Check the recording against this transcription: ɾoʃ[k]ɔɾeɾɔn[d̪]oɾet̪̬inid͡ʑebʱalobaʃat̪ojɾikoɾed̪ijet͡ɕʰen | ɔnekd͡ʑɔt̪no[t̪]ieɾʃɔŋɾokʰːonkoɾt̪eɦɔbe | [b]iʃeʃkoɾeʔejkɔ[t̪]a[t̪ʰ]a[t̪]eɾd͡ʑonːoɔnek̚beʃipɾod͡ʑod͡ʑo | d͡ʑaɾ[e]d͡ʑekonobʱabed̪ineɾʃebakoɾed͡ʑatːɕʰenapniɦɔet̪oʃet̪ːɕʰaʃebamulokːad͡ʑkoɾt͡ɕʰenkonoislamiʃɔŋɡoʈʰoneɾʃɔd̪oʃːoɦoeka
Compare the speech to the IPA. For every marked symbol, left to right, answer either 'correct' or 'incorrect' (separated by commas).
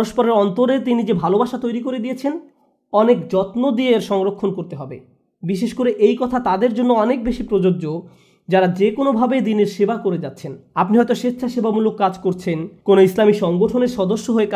incorrect, incorrect, incorrect, correct, incorrect, incorrect, incorrect, incorrect